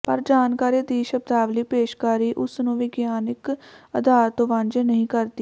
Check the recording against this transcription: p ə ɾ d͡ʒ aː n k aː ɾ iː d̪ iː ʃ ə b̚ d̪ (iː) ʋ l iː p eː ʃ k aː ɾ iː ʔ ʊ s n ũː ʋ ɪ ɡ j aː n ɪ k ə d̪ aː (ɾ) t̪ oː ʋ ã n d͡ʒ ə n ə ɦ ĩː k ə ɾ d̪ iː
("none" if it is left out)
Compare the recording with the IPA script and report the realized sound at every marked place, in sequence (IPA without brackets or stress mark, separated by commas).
aː, ɾ